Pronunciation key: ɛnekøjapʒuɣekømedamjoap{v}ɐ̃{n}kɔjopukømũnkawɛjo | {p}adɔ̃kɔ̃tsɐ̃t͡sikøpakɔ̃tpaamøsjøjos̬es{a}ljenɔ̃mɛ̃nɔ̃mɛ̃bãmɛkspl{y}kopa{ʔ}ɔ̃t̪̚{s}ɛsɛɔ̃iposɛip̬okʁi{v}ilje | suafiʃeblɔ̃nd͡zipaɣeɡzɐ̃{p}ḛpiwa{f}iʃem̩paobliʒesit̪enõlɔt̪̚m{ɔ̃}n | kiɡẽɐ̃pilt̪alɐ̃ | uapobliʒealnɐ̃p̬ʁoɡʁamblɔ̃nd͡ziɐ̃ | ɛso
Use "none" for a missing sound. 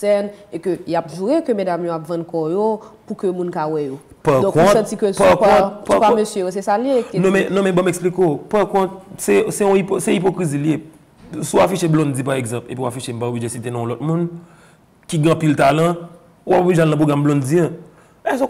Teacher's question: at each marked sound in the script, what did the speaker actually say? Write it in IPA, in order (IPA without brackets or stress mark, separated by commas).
v, n, p, a, i, k, s, z, p, f, ũ